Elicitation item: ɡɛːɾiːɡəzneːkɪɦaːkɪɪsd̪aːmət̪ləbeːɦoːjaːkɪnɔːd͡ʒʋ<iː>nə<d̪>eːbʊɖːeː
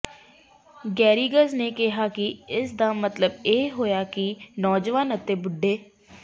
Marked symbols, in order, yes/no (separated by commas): no, no